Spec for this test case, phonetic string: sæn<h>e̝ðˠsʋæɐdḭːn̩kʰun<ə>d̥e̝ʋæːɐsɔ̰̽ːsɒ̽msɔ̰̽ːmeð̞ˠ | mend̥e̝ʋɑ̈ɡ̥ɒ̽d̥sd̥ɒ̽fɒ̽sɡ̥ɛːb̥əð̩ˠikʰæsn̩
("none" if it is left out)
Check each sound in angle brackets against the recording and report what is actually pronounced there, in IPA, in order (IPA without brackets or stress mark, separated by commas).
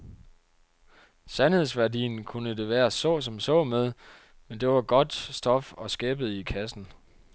h, ə